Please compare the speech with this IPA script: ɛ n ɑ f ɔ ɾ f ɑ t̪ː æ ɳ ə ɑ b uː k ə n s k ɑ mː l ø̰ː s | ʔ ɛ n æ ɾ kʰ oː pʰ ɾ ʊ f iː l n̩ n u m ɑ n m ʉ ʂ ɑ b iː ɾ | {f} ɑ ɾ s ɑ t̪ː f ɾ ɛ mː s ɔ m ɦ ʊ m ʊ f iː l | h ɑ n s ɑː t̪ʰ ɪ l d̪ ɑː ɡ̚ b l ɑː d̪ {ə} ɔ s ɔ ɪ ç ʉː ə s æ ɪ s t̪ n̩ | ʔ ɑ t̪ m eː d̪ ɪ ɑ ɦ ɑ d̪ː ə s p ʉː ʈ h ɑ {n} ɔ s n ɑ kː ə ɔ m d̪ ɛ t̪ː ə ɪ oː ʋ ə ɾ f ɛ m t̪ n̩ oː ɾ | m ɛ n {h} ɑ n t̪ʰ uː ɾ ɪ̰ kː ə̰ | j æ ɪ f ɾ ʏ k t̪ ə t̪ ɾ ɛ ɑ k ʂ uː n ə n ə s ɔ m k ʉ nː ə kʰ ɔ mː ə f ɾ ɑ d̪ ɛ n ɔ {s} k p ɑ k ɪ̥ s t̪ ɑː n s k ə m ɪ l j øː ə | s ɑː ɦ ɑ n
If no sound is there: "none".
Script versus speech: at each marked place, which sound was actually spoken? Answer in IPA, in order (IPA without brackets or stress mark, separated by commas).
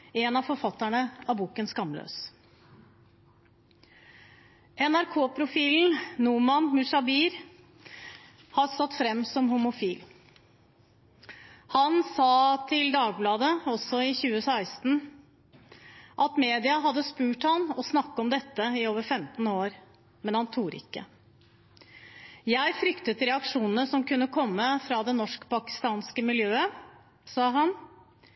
h, ə, n, h, ʂ